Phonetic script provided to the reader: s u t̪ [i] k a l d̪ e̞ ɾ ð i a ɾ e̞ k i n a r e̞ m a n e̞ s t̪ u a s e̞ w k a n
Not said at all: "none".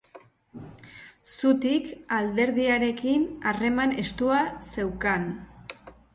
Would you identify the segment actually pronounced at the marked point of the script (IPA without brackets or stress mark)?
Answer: i